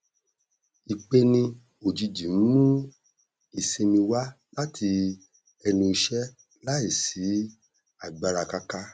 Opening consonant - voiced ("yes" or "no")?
no